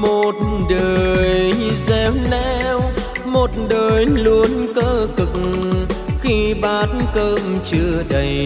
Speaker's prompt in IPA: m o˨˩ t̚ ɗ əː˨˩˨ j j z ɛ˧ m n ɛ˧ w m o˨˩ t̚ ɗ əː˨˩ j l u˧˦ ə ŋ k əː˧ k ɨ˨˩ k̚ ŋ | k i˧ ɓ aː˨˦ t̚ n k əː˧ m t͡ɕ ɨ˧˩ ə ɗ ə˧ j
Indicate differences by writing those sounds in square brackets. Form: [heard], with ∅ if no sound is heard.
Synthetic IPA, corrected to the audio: m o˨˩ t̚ ɗ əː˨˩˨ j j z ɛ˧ m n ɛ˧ w m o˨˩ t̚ ɗ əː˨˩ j l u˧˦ ə [n] k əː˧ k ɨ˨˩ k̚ ŋ | [x] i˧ ɓ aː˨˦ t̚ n k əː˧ m t͡ɕ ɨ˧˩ ə ɗ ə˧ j